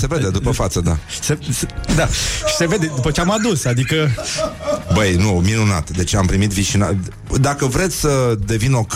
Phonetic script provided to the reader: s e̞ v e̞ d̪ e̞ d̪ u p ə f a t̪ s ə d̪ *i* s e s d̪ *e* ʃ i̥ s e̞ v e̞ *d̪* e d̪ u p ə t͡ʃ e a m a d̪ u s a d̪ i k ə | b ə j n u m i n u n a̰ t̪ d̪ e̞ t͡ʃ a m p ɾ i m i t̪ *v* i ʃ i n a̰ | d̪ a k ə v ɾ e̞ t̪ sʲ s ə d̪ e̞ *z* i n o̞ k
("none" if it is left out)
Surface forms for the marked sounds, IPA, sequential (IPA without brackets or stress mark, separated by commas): a, a, d̪, v, v